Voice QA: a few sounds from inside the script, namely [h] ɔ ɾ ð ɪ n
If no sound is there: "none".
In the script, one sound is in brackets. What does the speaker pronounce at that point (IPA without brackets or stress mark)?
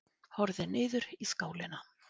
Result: h